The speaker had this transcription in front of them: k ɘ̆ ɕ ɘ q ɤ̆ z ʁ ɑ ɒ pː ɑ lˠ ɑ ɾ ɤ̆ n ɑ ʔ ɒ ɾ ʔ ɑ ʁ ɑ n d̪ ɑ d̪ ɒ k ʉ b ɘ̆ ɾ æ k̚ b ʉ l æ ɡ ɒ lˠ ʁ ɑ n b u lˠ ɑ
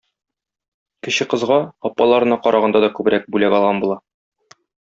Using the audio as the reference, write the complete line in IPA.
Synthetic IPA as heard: k ɘ̆ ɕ ɘ q ɤ̆ z ʁ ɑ ɒ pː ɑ lˠ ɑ ɾ ɤ̆ n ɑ q ɒ ɾ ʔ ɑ ʁ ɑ n d̪ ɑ d̪ ɒ k ʉ b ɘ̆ ɾ æ k̚ b ʉ l æ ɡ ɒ lˠ ʁ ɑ n b u lˠ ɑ